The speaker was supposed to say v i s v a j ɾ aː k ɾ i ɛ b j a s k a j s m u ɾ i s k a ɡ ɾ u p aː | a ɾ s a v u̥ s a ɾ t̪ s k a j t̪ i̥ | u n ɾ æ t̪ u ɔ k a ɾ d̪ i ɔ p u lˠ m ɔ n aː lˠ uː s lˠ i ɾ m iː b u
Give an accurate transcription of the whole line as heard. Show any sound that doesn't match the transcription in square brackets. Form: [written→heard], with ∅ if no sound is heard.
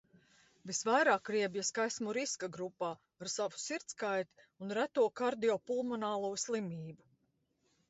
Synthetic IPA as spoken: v i s v a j ɾ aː k ɾ i ɛ b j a s k a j s m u ɾ i s k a ɡ ɾ u p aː | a ɾ s a v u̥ s [a→i] ɾ t̪ s k a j t̪ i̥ | u n ɾ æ t̪ u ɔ k a ɾ d̪ i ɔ p u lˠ m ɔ n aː lˠ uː s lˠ i [ɾ→∅] m iː b u